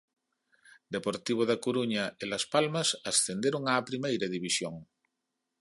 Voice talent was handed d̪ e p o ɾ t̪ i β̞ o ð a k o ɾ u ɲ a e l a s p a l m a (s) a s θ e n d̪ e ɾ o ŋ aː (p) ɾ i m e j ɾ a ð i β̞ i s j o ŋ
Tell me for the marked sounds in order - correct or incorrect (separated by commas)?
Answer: correct, correct